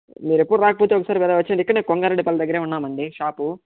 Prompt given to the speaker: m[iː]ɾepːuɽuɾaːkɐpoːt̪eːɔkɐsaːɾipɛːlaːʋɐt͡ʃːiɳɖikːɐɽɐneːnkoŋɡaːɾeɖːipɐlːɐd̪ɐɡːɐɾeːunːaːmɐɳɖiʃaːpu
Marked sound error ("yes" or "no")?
no